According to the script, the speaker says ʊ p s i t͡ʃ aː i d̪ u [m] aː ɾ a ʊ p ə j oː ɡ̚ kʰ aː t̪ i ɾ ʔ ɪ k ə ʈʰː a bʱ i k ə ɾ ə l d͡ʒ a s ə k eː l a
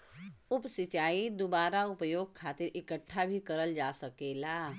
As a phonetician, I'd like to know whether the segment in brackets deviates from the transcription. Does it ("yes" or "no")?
yes